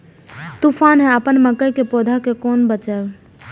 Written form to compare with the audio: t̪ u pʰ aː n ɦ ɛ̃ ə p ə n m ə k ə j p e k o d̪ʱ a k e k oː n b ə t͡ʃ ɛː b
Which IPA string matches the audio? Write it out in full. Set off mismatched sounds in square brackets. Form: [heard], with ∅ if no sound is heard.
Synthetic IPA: t̪ u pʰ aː n ɦ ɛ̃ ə p ə n m ə k ə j [k] e [p] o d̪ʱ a k e k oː n b ə t͡ʃ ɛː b